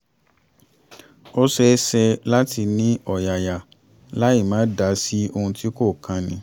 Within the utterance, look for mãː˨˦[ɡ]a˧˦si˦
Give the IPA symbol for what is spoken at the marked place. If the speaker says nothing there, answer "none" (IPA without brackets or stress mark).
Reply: d